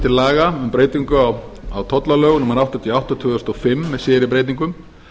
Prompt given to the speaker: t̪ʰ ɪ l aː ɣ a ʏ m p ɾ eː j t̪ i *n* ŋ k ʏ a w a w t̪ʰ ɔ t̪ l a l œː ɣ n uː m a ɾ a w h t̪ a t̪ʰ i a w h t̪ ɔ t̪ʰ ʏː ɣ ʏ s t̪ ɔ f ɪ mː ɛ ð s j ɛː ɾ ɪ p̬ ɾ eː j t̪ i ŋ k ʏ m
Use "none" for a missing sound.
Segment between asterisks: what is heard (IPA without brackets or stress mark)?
none